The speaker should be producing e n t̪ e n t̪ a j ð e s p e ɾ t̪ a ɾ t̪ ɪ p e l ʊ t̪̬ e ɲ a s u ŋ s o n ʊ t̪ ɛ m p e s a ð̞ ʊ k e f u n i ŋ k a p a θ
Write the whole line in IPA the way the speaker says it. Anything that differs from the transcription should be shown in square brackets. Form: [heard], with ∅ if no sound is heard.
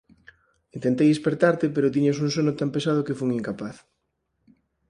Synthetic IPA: [i] n t̪ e n t̪ [e] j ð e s p e ɾ t̪ a ɾ t̪ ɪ p e [ɾ] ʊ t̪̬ [i] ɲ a s u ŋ s o n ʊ t̪ [a] m p e s a ð̞ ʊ k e f u [ŋ] i ŋ k a p a θ